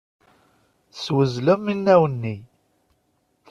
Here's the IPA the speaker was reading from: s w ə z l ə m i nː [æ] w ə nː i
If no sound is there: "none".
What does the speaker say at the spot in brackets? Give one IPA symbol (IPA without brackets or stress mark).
æ